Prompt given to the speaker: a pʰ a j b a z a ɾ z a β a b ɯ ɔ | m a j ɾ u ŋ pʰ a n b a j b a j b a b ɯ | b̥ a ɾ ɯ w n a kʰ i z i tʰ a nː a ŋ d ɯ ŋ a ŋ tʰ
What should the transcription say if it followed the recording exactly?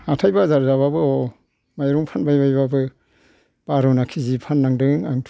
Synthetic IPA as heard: a tʰ a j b a z a ɾ z a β a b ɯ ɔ | m a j ɾ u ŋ pʰ a n b a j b a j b a b ɯ | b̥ a ɾ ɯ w n a kʰ i z i pʰ a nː a ŋ d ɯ ŋ a ŋ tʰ